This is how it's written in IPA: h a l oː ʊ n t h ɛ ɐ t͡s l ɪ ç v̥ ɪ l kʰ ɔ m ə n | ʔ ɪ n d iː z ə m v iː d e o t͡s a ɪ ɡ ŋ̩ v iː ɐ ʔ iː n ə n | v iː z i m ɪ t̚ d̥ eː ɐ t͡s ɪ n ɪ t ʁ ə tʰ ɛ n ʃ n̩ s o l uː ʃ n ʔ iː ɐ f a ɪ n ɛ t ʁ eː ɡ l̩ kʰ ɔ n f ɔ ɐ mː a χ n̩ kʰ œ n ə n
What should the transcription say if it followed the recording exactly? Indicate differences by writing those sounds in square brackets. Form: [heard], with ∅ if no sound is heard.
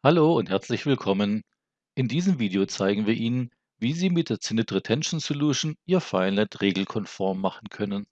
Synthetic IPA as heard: h a l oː ʊ n t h ɛ ɐ t͡s l ɪ ç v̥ ɪ l kʰ ɔ m ə n | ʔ ɪ n d iː z ə m v iː d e o t͡s a ɪ ɡ ŋ̩ v iː ɐ ʔ iː n ə n | v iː z [iː] m ɪ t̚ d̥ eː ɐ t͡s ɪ n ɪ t ʁ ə tʰ ɛ n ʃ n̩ s o l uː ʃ n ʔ iː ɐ f a ɪ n ɛ t ʁ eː ɡ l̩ kʰ ɔ n f ɔ ɐ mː a χ n̩ kʰ œ n ə n